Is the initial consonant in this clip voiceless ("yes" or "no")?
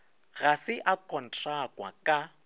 no